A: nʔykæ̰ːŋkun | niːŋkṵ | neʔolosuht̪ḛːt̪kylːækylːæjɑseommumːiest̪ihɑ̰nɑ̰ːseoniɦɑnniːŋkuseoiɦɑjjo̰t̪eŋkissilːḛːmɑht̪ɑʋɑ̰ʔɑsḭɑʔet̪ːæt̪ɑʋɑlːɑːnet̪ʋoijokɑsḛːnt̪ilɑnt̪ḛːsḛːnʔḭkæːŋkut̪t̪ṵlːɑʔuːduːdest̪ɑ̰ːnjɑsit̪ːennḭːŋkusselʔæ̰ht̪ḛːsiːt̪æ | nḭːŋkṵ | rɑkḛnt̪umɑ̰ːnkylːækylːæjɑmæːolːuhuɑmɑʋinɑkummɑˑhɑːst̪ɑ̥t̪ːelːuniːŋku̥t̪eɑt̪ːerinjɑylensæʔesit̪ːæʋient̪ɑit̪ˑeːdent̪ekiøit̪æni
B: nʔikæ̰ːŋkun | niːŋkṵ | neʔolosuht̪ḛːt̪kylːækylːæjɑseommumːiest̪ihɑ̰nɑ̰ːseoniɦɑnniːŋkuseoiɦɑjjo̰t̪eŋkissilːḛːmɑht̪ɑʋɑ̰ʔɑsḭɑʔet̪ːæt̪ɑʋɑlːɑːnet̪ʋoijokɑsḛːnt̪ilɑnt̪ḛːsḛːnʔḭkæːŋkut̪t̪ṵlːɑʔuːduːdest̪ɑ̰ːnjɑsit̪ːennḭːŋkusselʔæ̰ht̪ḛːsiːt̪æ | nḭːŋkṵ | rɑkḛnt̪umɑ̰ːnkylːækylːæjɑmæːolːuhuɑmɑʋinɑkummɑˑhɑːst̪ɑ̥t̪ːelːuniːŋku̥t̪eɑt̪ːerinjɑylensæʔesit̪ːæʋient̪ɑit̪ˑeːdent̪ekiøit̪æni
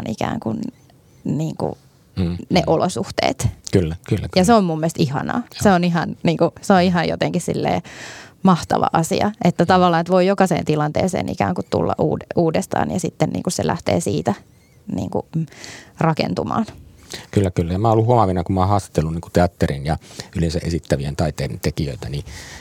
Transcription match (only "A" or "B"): B